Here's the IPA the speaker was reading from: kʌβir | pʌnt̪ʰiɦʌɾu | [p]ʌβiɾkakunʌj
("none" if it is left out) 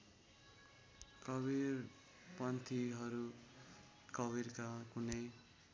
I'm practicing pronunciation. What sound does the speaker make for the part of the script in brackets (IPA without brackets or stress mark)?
k